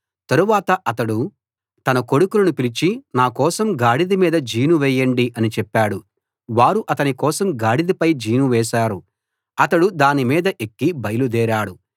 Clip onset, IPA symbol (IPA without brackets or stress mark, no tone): t̪